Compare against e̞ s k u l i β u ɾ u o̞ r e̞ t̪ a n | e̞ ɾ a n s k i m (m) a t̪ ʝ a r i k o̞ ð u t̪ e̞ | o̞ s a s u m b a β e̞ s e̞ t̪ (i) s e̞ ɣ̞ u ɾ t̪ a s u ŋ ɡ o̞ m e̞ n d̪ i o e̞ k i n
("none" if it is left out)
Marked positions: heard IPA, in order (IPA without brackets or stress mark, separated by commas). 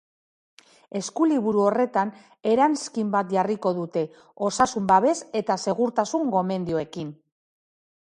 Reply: b, a